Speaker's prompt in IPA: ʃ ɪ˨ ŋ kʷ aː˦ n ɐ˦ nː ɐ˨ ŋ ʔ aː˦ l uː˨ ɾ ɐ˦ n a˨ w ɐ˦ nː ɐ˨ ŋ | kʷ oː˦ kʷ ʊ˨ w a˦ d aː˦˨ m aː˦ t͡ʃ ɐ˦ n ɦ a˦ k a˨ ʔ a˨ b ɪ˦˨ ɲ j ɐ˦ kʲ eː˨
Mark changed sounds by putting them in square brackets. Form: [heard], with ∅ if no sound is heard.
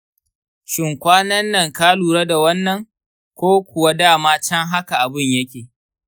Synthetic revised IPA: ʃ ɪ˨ ŋ kʷ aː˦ n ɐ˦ nː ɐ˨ ŋ [k] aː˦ l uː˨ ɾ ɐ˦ [d] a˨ w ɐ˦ nː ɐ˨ ŋ | kʷ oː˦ kʷ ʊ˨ w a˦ d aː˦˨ m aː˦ t͡ʃ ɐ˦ [ŋ] ɦ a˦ k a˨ ʔ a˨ b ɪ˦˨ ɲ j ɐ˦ kʲ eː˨